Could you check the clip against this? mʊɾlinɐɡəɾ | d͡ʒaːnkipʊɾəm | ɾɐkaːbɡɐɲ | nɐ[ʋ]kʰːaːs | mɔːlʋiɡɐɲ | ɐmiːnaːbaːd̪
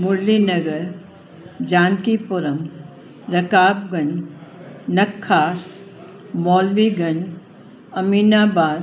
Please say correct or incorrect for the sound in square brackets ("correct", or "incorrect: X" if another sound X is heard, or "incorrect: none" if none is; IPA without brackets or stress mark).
incorrect: none